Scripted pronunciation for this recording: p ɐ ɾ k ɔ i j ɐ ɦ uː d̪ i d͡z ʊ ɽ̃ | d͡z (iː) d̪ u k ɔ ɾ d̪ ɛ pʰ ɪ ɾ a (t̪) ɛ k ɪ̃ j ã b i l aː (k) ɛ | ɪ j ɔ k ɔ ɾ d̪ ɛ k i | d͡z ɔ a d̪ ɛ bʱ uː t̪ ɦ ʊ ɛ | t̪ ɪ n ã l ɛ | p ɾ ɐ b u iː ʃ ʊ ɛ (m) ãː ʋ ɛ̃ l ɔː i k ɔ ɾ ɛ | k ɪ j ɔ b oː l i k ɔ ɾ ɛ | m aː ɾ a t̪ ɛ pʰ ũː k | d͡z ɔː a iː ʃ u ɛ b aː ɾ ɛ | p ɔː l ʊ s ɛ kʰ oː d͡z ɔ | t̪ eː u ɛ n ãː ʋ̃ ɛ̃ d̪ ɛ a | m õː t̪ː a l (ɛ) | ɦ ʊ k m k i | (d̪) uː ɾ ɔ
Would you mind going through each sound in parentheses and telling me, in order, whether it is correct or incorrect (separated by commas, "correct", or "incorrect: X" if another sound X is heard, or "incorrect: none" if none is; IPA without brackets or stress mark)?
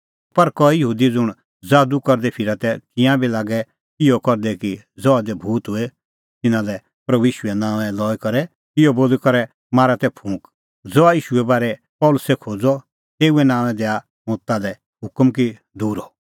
incorrect: aː, correct, incorrect: ɡ, incorrect: n, correct, correct